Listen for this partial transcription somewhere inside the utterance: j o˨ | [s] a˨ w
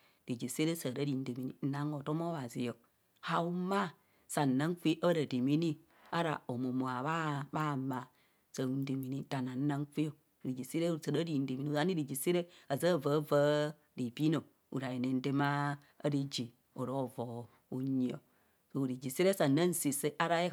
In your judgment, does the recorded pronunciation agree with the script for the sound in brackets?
no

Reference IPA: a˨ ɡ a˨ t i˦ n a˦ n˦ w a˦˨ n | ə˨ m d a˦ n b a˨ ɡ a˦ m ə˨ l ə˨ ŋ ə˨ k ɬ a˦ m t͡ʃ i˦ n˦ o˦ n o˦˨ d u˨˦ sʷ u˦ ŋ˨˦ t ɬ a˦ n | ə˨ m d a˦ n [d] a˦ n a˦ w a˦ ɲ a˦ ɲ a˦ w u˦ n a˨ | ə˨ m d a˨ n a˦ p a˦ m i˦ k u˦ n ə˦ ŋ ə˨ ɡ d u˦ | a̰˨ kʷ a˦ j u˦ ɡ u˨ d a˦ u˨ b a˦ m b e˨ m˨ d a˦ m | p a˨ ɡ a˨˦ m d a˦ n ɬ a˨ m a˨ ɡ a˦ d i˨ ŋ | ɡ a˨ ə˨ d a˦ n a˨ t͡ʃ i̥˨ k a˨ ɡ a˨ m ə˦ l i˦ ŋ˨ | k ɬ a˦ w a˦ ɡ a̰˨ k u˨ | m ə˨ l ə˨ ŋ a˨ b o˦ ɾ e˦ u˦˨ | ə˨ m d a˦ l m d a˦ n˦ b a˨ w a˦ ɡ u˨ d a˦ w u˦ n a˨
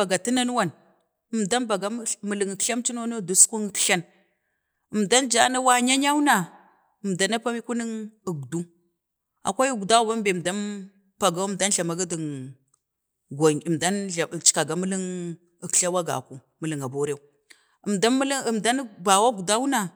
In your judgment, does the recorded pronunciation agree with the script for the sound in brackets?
no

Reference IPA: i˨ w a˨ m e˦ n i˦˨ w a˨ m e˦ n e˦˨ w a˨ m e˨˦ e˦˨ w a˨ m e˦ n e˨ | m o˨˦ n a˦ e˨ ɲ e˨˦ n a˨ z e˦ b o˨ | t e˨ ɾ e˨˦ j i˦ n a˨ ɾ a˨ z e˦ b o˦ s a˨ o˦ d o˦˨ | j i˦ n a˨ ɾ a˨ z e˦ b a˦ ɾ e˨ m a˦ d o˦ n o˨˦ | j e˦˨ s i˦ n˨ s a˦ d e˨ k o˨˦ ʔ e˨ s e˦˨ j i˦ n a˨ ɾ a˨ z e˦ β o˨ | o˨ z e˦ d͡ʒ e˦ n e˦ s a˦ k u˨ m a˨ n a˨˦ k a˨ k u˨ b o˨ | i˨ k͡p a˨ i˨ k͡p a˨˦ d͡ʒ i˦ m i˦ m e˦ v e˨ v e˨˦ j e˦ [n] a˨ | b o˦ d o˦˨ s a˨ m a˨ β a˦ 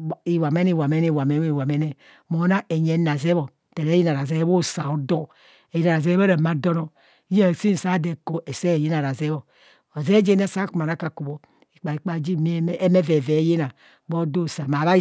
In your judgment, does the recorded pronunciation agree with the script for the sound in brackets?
yes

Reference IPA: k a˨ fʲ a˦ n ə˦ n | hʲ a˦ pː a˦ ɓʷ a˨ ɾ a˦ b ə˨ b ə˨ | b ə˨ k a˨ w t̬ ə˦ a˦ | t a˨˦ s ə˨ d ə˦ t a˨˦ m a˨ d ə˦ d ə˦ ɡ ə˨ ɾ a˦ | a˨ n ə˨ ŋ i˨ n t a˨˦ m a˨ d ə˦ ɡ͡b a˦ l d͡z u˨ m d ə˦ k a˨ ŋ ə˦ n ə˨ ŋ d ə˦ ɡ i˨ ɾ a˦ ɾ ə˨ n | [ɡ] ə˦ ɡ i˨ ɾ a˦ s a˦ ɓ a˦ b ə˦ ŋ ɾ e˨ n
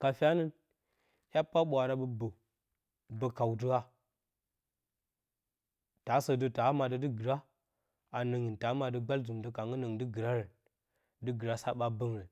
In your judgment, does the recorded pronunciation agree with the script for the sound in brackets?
no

